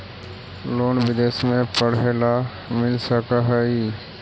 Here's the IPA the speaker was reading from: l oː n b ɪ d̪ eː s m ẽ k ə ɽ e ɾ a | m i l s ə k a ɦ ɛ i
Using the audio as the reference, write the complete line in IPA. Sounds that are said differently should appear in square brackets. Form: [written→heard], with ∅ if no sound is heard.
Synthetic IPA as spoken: l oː n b ɪ d̪ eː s m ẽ [k→p] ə ɽ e [ɾ→l] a | m [i→ɪ] l s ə k a ɦ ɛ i